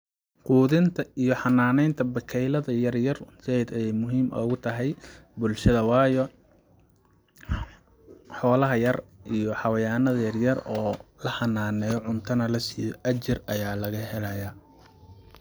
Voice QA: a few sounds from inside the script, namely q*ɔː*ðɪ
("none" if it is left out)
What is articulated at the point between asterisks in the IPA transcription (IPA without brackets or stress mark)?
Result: uː